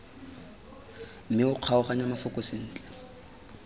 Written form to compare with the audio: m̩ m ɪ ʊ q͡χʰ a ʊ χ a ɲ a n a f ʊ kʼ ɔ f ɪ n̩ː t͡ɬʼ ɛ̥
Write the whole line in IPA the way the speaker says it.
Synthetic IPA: m̩ m ɪ ʊ q͡χʰ a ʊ χ a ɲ a m a f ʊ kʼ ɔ s ɪ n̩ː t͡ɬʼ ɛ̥